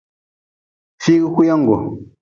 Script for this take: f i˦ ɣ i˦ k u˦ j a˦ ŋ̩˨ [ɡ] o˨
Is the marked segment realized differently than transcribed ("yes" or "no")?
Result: no